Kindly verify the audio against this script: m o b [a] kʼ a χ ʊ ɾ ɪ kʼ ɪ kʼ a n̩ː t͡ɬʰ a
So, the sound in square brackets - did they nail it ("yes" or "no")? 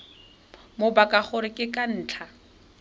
yes